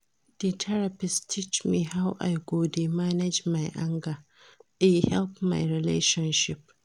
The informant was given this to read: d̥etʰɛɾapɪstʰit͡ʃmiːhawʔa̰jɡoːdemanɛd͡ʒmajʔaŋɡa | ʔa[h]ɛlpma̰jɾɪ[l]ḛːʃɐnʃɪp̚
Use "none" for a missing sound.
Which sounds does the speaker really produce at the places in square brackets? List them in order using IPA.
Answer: h, l

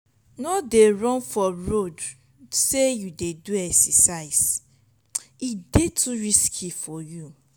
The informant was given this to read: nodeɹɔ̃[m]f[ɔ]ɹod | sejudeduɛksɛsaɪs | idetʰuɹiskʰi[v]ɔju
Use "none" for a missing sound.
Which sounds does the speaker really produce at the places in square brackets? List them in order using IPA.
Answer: n, ɔ, f

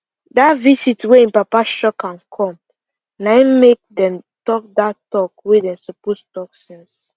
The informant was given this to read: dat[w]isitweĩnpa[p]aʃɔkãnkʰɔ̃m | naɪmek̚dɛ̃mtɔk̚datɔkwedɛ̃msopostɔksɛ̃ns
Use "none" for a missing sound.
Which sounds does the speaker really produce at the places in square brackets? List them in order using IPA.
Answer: v, p

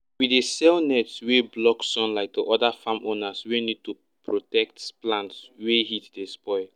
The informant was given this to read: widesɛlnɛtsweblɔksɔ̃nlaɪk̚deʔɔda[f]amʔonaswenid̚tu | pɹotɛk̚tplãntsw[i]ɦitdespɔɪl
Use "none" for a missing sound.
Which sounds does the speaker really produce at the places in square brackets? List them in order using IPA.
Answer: f, e

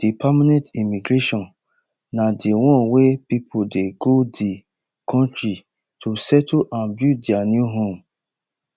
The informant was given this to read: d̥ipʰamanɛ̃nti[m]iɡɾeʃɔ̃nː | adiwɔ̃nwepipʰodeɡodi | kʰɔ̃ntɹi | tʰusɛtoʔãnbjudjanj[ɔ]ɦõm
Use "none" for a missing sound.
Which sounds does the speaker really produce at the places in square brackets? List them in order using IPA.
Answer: m, u

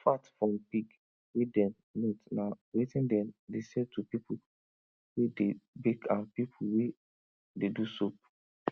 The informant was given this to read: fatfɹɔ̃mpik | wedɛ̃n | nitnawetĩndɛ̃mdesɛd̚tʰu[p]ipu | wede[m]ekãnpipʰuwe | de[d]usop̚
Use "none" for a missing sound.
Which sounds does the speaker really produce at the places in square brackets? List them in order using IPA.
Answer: p, b, d

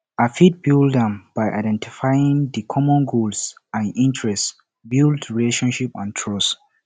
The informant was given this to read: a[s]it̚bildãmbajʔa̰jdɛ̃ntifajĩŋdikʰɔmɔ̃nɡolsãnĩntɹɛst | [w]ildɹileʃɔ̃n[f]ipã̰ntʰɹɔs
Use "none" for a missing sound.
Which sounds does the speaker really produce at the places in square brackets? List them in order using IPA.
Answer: f, b, ʃ

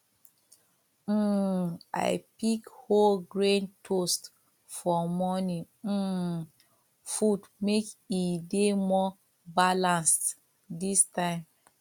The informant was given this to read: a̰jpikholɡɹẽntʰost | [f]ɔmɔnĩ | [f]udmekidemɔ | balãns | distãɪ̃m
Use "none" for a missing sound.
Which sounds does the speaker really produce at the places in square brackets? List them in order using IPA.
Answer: f, f

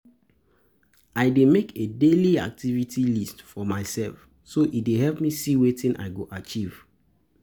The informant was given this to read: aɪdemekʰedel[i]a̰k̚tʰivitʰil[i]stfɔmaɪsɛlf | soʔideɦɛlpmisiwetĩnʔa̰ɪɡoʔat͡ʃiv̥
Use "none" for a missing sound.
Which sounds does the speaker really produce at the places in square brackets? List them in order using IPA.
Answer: i, i

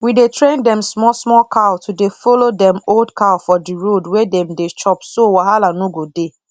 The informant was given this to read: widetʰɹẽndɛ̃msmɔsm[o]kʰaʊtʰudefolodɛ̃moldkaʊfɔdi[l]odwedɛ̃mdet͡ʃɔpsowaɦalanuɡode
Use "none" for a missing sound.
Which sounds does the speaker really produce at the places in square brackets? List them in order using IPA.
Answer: ɔ, ɹ

